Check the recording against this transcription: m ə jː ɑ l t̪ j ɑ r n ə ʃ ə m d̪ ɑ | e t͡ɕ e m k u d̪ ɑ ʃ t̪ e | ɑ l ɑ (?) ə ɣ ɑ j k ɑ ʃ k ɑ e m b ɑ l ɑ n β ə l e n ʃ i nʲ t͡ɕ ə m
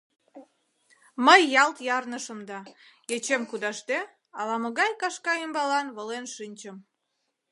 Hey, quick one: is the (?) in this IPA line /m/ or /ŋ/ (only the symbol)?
m